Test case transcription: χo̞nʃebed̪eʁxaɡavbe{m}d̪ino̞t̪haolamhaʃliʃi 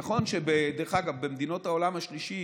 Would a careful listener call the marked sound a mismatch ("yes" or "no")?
no